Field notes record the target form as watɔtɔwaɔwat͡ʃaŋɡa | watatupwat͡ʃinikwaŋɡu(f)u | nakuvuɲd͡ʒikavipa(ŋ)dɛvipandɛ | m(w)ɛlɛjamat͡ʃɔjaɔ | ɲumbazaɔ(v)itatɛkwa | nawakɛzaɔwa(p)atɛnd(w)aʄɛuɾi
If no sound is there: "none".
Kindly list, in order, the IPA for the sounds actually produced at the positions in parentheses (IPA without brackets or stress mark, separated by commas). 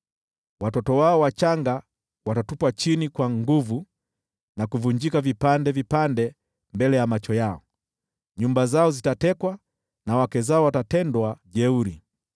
v, n, b, z, t, w